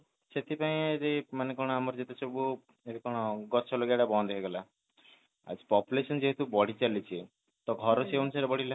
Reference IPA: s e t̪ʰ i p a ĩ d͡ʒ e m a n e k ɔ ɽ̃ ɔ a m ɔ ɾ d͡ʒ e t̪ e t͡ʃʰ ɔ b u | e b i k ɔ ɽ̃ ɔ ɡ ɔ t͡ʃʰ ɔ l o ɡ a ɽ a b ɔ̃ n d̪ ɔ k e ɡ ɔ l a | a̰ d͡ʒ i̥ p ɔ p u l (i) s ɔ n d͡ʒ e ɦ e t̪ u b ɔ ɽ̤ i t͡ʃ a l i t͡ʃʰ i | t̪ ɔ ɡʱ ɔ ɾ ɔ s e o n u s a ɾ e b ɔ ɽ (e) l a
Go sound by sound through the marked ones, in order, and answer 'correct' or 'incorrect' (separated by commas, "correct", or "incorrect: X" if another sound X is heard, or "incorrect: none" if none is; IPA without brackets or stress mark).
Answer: incorrect: e, incorrect: i